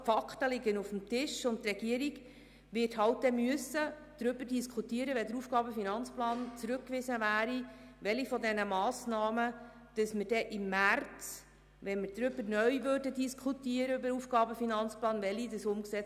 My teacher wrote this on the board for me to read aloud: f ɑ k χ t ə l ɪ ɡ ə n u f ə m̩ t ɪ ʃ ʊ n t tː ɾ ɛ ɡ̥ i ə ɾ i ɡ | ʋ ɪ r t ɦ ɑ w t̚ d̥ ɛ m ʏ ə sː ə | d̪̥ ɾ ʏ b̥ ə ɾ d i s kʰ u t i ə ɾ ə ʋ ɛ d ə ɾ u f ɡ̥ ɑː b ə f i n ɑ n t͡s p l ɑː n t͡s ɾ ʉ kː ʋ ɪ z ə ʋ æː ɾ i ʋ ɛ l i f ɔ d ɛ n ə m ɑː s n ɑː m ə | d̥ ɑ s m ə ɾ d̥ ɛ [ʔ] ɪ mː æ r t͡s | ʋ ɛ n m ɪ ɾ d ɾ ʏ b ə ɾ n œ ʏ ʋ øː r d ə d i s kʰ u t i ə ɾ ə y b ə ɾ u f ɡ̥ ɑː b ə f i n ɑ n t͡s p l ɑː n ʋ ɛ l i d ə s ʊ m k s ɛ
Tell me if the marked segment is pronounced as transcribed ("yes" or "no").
yes